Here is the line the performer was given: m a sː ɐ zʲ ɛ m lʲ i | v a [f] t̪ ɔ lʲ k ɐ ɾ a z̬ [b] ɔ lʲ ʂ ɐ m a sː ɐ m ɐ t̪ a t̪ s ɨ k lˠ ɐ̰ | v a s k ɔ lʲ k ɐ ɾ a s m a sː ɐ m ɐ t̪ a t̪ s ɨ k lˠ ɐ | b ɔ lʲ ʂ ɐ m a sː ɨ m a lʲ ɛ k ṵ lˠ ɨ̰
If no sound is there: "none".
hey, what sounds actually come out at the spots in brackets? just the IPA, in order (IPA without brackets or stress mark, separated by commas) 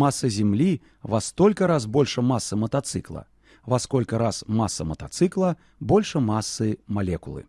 s, b